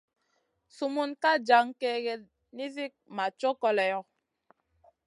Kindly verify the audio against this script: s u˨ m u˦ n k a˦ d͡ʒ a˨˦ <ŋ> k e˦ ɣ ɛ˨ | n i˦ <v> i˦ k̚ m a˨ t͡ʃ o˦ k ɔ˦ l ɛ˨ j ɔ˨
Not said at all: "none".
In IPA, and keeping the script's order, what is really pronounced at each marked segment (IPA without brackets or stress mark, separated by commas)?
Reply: ŋ, z